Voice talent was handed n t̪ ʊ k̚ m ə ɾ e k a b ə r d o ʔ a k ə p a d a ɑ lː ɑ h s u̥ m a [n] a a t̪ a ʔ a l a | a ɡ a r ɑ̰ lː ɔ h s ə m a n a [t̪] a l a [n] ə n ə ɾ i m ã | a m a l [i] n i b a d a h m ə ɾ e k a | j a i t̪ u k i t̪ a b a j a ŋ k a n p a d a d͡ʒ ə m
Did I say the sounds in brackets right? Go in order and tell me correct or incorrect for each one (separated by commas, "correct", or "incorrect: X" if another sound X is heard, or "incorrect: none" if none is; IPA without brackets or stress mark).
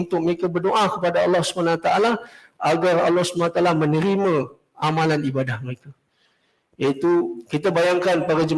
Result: correct, correct, incorrect: m, incorrect: a